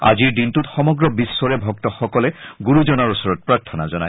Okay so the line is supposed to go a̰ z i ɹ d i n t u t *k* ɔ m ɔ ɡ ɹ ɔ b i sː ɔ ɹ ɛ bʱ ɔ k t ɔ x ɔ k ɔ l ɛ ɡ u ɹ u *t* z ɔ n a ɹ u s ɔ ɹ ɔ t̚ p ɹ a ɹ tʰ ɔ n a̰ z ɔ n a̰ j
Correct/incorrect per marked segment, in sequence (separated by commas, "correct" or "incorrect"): incorrect, incorrect